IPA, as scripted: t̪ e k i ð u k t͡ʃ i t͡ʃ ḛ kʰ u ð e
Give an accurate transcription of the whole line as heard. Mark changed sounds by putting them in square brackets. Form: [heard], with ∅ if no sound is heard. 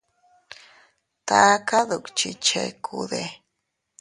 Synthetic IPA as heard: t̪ [a] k [a] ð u k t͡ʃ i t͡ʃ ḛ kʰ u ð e